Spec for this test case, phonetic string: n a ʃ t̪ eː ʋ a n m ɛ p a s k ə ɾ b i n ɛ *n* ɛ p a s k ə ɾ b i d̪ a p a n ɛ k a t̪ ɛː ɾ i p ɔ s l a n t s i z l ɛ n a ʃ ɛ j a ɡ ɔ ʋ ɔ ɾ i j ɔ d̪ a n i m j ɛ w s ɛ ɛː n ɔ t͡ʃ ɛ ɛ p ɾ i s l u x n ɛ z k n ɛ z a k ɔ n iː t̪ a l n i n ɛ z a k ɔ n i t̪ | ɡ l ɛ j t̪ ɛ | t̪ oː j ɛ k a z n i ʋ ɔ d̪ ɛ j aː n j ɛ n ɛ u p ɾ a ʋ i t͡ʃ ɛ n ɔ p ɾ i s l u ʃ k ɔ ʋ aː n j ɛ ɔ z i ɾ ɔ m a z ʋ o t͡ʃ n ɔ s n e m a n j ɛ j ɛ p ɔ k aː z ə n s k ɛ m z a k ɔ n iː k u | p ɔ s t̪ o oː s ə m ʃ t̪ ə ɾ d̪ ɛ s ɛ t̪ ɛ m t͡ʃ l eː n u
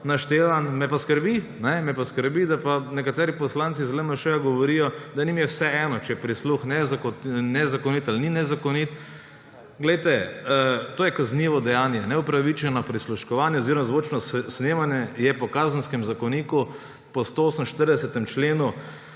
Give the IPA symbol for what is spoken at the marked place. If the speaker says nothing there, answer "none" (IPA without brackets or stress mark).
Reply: m